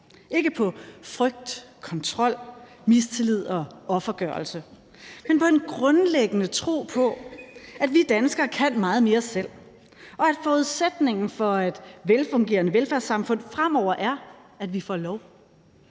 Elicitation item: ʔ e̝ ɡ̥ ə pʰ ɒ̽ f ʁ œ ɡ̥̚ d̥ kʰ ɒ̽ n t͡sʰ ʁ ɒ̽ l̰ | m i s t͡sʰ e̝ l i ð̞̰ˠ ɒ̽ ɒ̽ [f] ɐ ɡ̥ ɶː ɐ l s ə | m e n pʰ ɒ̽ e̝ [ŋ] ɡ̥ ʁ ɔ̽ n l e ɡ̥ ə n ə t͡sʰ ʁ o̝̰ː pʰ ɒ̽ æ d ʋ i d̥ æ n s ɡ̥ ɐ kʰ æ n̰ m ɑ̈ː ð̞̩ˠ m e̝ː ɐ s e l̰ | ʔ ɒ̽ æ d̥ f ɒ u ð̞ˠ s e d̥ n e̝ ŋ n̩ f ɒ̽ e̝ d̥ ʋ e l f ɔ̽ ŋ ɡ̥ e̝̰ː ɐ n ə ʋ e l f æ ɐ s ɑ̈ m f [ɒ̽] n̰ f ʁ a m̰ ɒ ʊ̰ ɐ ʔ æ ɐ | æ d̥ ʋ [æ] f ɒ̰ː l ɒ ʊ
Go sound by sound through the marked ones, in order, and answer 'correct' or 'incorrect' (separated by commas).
correct, incorrect, incorrect, incorrect